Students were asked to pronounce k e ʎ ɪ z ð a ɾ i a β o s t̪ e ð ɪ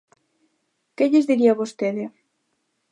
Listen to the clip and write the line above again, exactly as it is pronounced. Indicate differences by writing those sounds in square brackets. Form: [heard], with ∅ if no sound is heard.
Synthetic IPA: k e ʎ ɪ z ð [i] ɾ i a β o s t̪ e ð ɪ